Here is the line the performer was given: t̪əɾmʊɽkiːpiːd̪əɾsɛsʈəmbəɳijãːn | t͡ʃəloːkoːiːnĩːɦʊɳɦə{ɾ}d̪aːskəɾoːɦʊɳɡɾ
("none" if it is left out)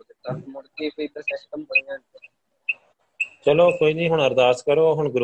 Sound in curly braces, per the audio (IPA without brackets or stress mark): ɾ